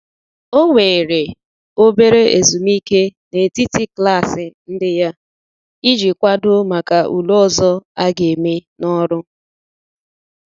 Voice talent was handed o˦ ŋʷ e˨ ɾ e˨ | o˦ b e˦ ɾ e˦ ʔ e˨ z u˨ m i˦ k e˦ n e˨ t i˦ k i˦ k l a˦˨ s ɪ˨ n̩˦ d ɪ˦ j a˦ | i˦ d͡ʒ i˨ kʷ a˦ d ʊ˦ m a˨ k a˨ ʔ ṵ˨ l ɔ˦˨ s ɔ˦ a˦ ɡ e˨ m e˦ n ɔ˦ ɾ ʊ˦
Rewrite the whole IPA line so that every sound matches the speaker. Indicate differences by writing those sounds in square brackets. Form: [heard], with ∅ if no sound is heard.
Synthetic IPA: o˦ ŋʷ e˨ ɾ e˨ | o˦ b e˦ ɾ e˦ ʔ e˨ z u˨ m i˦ k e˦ n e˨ t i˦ [t] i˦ k l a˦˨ s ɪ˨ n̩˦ d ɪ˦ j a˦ | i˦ d͡ʒ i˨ kʷ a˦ d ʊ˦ m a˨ k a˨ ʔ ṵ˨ l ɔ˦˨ [z] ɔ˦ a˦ ɡ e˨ m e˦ n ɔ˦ ɾ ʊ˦